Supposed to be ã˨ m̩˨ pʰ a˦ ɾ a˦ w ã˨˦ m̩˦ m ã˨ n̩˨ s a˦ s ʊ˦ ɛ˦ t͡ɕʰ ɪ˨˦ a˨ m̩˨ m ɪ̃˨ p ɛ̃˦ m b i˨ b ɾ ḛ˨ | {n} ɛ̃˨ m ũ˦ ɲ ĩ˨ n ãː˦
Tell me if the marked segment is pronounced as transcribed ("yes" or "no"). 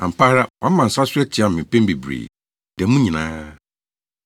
no